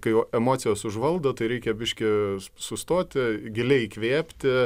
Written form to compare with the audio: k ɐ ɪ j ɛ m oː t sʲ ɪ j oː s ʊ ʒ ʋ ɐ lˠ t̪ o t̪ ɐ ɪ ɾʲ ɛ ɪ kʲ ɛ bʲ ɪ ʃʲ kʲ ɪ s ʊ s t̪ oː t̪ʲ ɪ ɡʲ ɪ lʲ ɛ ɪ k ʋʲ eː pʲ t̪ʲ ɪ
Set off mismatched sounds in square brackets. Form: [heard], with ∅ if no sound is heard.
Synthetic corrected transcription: k ɐ ɪ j ɛ m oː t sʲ ɪ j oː s ʊ ʒ ʋ ɐ lˠ [d̪] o t̪ ɐ ɪ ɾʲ ɛ ɪ kʲ ɛ bʲ ɪ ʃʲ kʲ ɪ s ʊ s t̪ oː t̪ʲ ɪ ɡʲ ɪ lʲ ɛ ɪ k ʋʲ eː pʲ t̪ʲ ɪ